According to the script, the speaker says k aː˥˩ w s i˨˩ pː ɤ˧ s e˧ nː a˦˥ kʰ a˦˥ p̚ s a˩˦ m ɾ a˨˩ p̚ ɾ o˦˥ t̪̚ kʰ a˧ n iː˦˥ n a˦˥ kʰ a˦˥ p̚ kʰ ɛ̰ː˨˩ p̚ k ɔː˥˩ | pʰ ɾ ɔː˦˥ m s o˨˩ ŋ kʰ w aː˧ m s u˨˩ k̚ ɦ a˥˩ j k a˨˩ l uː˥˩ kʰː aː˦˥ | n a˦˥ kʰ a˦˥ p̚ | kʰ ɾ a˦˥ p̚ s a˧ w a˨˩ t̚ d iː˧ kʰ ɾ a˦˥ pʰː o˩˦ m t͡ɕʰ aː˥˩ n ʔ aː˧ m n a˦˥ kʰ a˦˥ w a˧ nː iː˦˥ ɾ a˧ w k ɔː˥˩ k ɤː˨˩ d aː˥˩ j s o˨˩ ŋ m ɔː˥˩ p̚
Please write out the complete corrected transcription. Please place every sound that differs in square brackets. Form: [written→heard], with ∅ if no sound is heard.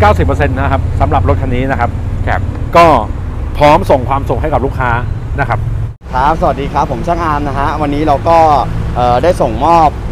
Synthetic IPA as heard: k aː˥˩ w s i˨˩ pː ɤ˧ s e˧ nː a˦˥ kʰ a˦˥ p̚ s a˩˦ m ɾ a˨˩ p̚ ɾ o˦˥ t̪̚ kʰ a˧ n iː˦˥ n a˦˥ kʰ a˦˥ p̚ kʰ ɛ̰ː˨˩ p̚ k ɔː˥˩ | pʰ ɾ ɔː˦˥ m s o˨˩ ŋ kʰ w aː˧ m s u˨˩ k̚ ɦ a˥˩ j k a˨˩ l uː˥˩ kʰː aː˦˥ | n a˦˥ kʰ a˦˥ p̚ | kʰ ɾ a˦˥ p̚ s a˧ w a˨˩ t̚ d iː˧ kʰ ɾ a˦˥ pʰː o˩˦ m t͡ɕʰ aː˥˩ [n→ŋ] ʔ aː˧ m n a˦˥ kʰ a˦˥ w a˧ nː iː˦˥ ɾ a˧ w k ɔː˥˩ [k→ʔ] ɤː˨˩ d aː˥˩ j s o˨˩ ŋ m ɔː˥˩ p̚